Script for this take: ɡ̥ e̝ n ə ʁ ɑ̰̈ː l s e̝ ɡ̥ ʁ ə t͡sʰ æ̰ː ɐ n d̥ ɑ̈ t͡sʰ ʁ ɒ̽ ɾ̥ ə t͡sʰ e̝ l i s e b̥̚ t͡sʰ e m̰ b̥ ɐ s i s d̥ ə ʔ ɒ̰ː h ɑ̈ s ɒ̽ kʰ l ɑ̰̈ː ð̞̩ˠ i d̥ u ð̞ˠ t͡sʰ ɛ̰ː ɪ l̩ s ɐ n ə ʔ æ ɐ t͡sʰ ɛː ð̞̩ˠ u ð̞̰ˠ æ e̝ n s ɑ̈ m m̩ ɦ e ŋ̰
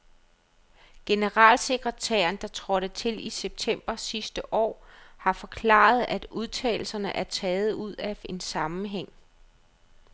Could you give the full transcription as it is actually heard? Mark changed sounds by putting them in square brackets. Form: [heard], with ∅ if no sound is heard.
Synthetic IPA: ɡ̥ e̝ n ə ʁ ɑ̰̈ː l s e̝ ɡ̥ ʁ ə t͡sʰ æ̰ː ɐ n d̥ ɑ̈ t͡sʰ ʁ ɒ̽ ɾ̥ ə t͡sʰ e̝ l i s e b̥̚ t͡sʰ e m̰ b̥ ɐ s i s d̥ ə ʔ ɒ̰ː h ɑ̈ [f] ɒ̽ kʰ l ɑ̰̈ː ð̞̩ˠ [æ] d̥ u ð̞ˠ t͡sʰ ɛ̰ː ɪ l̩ s ɐ n ə ʔ æ ɐ t͡sʰ ɛː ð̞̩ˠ u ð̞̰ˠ æ e̝ n s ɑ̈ m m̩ ɦ e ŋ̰